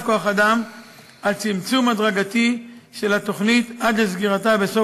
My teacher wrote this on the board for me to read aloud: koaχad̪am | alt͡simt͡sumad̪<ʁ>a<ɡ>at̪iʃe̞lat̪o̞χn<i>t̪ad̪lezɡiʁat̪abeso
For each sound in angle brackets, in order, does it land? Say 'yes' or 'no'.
yes, yes, yes

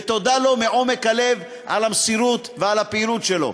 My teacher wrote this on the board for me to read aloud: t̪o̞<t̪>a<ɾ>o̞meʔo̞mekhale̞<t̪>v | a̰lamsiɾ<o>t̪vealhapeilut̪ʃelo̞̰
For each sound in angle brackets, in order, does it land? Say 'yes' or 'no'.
no, no, no, no

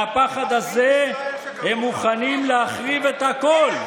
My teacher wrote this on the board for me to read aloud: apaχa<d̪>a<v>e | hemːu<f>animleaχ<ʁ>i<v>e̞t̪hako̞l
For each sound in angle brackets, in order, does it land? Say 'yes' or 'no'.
yes, no, no, yes, yes

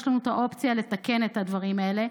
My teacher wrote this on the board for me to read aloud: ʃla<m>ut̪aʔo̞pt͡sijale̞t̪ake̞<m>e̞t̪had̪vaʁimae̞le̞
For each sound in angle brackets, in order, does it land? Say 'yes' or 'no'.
no, no

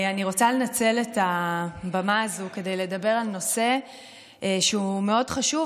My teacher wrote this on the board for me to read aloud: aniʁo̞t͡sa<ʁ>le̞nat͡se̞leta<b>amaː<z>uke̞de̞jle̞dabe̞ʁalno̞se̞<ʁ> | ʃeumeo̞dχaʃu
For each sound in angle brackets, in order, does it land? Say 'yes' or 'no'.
no, yes, yes, no

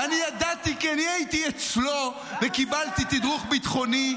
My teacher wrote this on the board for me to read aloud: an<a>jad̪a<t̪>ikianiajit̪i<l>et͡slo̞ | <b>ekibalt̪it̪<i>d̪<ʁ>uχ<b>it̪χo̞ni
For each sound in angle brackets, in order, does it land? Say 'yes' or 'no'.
no, yes, no, no, yes, yes, yes

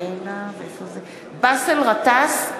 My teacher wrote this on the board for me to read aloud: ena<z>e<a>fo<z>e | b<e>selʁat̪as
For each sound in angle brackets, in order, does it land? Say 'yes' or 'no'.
no, no, yes, no

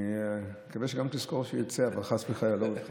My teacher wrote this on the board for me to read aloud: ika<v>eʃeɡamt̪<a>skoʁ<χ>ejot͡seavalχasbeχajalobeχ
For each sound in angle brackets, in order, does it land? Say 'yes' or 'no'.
yes, no, no

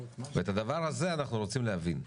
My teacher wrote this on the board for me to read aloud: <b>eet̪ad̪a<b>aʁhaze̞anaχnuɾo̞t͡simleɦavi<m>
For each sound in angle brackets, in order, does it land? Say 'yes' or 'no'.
no, no, no

